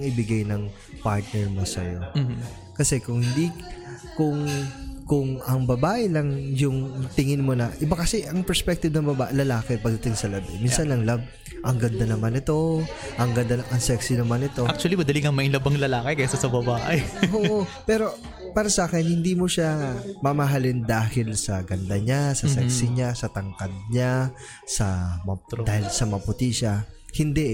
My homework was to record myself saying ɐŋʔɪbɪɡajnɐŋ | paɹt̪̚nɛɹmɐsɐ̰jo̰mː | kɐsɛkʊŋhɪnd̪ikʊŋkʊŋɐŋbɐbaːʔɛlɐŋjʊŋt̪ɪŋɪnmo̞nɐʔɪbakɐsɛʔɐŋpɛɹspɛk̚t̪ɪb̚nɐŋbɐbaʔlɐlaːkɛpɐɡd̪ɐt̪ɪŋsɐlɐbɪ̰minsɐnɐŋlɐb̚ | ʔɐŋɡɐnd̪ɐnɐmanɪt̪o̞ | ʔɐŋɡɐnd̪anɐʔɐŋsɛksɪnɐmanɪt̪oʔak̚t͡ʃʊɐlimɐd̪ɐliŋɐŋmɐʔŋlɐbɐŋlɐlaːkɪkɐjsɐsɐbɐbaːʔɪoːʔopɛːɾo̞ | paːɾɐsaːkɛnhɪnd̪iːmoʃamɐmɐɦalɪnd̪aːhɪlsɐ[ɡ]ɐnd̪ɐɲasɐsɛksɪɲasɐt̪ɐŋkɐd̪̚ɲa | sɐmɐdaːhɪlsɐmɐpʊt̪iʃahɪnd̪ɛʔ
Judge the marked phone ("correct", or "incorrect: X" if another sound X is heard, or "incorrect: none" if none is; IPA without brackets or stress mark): correct